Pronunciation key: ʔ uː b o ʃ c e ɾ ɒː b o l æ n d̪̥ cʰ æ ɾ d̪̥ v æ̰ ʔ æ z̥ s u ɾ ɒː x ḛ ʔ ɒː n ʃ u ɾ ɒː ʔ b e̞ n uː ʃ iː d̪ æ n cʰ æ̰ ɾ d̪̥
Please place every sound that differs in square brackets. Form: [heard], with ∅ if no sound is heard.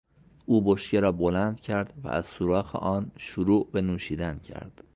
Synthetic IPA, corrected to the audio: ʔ uː b o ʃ c e ɾ ɒː b o l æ n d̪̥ cʰ æ ɾ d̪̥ v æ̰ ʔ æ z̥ s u ɾ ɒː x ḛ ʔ ɒː n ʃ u ɾ [uː] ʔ b e̞ n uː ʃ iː d̪ æ n cʰ æ̰ ɾ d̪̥